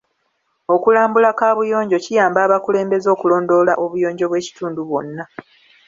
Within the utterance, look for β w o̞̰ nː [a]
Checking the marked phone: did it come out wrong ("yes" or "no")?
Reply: no